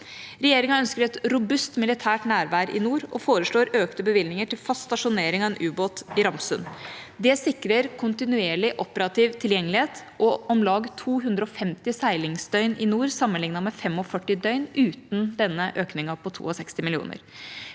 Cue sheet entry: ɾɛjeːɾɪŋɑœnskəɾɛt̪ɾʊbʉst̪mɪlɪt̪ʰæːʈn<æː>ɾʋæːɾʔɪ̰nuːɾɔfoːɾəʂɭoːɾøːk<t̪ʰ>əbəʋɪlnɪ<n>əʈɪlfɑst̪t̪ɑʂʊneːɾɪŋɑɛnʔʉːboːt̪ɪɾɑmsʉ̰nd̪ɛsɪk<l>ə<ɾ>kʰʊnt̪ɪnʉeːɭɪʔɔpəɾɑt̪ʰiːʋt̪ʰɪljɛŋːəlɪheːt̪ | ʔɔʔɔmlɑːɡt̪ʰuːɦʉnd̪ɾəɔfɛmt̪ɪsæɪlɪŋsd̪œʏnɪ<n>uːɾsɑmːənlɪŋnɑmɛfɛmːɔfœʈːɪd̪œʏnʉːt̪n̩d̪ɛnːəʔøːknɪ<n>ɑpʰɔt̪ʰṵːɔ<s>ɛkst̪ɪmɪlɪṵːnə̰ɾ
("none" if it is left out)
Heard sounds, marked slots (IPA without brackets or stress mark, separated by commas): æː, t̪, ŋ, ɾ, ɾ, n, ŋ, s